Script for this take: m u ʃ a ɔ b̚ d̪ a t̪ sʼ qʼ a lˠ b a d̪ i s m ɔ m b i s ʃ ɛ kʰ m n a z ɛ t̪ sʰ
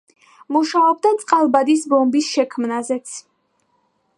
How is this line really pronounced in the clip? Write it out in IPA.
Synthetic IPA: m u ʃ a ɔ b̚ d̪ a t̪ sʼ qʼ a lˠ b a d̪ i s b ɔ m b i s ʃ ɛ kʰ m n a z ɛ t̪ sʰ